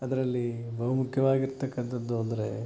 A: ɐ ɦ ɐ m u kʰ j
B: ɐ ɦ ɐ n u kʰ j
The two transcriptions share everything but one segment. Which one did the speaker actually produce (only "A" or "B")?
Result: A